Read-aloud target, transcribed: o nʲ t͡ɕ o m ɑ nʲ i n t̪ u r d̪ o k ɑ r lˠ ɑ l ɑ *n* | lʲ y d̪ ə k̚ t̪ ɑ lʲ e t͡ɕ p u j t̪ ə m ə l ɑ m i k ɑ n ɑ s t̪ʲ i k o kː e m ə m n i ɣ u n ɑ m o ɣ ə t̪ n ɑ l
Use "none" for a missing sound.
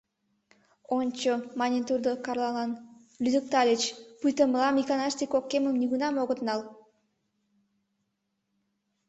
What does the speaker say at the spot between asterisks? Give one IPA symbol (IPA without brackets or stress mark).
n